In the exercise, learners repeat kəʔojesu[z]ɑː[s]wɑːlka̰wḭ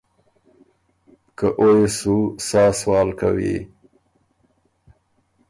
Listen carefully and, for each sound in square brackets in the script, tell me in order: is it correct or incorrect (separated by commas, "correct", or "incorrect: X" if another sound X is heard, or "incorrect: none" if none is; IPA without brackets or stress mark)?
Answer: incorrect: s, correct